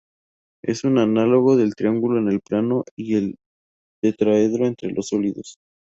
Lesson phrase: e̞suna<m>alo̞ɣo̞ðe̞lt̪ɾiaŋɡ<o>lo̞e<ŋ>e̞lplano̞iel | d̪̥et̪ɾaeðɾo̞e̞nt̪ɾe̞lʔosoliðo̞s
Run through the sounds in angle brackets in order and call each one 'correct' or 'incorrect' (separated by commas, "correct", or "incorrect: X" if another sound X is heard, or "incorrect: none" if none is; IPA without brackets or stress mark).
incorrect: n, incorrect: u, incorrect: n